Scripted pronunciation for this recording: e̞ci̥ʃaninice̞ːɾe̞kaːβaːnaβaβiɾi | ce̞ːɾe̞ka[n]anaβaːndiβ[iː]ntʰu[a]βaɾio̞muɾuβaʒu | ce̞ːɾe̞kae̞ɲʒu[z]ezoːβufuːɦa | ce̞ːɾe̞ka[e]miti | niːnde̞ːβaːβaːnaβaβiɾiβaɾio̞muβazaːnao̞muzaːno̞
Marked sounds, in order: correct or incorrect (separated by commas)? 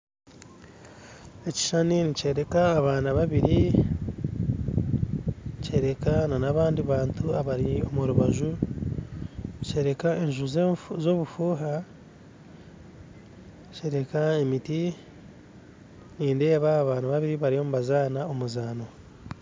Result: correct, incorrect, correct, correct, correct